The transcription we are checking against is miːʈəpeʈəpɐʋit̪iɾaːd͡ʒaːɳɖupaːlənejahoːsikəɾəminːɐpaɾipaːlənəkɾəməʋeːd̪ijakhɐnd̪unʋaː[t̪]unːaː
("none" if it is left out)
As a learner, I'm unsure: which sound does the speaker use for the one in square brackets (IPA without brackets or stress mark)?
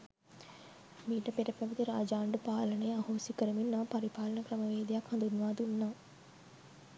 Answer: d̪